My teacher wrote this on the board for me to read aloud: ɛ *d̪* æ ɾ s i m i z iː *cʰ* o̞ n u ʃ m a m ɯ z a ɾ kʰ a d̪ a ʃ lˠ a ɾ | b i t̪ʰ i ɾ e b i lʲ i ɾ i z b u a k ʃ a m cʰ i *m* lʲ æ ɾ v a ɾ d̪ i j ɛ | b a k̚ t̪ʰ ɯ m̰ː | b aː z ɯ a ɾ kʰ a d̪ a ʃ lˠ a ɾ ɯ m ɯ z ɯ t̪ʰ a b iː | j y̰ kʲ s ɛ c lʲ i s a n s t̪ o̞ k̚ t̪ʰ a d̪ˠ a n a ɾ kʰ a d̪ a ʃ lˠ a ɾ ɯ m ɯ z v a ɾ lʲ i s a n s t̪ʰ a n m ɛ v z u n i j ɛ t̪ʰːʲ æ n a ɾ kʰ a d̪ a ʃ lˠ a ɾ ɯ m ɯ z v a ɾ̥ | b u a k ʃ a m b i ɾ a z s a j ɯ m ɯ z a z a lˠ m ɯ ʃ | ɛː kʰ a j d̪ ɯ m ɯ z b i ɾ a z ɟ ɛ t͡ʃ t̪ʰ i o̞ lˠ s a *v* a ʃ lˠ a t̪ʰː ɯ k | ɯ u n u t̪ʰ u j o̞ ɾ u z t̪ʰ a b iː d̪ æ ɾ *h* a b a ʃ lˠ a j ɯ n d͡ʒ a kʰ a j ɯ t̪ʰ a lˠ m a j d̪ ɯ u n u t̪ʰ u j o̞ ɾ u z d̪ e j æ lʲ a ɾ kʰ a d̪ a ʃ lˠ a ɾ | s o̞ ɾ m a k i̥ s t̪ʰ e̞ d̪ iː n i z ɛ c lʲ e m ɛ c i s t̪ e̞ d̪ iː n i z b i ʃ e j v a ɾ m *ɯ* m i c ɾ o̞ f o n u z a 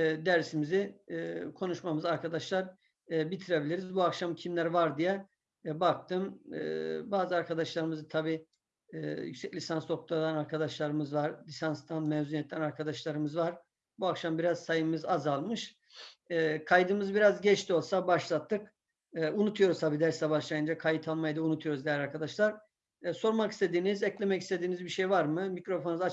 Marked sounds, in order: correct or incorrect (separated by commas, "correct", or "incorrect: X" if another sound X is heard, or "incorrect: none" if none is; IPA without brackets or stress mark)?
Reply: correct, incorrect: kʰ, correct, incorrect: b, incorrect: s, correct